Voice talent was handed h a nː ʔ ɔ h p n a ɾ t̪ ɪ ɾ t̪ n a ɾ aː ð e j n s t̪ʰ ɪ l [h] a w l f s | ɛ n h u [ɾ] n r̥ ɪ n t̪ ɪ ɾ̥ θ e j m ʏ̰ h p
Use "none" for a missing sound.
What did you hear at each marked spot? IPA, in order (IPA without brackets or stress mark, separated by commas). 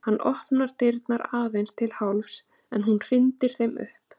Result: h, none